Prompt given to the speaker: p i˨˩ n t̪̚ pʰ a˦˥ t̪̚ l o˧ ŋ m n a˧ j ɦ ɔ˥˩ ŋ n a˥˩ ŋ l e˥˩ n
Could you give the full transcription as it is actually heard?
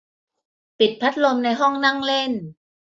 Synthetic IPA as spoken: p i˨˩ t̪̚ pʰ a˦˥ t̪̚ l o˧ m n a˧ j ɦ ɔ˥˩ ŋ n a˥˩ ŋ l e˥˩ n

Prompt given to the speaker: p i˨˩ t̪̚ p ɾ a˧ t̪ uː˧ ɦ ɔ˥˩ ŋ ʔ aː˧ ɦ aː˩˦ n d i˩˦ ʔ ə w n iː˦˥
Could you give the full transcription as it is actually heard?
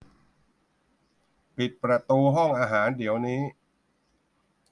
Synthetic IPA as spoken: p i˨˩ t̪̚ p ɾ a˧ t̪ uː˧ ɦ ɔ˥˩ ŋ ʔ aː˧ ɦ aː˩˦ n d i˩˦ ə w n iː˦˥

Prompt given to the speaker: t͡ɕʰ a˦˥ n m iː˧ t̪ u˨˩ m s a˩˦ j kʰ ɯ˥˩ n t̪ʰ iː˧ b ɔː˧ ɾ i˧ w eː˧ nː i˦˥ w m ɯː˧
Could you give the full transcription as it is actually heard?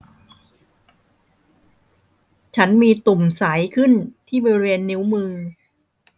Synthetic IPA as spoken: t͡ɕʰ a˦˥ n m iː˧ t̪ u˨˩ m s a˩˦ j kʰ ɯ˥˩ n t̪ʰ iː˥˩ b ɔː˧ ɾ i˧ w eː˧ nː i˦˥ w m ɯː˧

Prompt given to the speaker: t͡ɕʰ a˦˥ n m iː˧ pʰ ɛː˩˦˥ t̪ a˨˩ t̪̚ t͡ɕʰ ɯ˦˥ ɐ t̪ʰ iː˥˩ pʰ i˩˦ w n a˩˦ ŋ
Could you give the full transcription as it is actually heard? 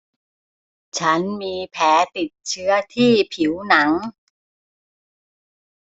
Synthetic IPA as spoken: t͡ɕʰ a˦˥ n m iː˧ pʰ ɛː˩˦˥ t̪ i˨˩ t̪̚ t͡ɕʰ ɯ˦˥ ɐ t̪ʰ iː˥˩ pʰ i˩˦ w n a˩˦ ŋ

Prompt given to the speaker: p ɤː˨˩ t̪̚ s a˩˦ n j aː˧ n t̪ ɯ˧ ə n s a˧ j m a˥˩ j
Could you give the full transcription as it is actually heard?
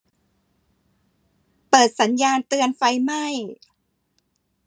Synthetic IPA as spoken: p ɤː˨˩ t̪̚ s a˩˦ n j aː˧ n t̪ ɯ˧ ə n f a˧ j m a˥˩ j

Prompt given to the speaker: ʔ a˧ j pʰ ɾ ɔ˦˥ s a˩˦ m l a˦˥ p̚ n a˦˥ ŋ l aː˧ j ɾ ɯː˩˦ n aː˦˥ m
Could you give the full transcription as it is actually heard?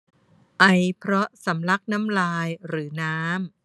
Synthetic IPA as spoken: ʔ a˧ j pʰ ɾ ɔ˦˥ s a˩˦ m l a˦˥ k̚ n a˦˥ m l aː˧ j ɾ ɯː˩˦ n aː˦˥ m

